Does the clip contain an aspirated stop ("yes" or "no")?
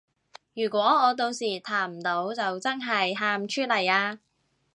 yes